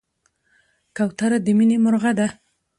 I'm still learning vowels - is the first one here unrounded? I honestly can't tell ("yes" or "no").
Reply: yes